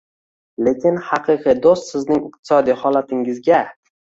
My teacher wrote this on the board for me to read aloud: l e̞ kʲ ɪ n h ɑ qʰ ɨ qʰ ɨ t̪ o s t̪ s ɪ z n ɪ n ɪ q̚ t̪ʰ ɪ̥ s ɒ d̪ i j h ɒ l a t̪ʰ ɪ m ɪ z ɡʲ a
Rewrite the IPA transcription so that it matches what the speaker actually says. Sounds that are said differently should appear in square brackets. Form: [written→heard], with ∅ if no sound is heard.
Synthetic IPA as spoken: l e̞ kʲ ɪ n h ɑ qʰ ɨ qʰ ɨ [t̪→d̪] o s t̪ s ɪ z n ɪ [n→ŋ] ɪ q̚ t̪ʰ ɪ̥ s ɒ d̪ i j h ɒ l a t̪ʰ ɪ [m→ŋ] ɪ z ɡʲ a

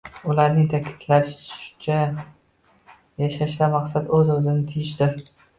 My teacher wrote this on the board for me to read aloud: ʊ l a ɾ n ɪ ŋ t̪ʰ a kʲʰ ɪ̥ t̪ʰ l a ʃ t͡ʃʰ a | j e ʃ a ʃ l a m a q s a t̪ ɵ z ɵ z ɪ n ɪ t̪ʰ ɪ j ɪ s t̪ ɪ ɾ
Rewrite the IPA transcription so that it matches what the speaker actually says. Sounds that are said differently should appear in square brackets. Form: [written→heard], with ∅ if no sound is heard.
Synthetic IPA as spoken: ʊ l a ɾ n ɪ ŋ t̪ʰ a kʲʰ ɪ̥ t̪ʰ l a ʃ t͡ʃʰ a | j [e→a] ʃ a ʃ l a m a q s a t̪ ɵ z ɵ z ɪ n ɪ t̪ʰ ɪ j ɪ [s→ʃ] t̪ ɪ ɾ

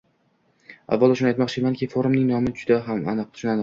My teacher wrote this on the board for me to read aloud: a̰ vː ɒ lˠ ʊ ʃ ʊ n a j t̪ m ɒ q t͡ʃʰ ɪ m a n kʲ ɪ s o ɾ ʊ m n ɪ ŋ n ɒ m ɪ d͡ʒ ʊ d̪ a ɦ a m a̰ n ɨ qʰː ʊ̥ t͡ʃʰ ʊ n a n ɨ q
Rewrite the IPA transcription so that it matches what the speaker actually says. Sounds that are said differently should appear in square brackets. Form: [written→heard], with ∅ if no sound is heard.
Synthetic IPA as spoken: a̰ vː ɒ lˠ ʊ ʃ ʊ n a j t̪ m ɒ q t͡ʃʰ ɪ m a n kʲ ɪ [s→f] o ɾ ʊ m n ɪ ŋ n ɒ m ɪ d͡ʒ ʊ d̪ a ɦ a m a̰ n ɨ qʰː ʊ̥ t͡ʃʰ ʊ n a n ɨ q

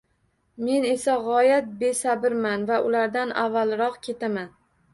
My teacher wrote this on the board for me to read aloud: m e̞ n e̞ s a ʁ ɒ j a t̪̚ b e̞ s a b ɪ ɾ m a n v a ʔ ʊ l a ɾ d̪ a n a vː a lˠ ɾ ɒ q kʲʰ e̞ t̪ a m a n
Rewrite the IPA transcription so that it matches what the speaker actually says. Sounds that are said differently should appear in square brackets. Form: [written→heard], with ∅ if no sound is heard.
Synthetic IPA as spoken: m e̞ n e̞ s a ʁ ɒ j a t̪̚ b e̞ s a b ɪ ɾ m a n v a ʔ ʊ l a ɾ d̪ a n a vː a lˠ ɾ ɒ q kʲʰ e̞ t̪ a m a n

